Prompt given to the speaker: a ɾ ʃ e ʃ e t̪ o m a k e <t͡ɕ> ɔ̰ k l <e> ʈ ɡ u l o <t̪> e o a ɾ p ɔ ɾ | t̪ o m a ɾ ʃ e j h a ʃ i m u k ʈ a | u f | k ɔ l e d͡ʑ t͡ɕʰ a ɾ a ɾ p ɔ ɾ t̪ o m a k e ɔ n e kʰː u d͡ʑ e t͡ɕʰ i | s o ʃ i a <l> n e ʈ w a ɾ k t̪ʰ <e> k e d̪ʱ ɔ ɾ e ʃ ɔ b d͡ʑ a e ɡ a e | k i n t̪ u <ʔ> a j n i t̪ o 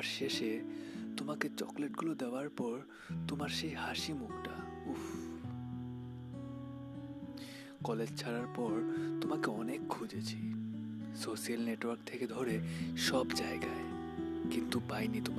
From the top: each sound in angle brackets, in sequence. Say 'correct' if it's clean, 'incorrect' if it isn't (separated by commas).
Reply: correct, correct, incorrect, correct, correct, incorrect